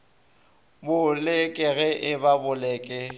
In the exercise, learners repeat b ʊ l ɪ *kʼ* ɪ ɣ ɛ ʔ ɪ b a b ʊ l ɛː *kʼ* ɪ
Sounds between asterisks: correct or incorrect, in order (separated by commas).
correct, correct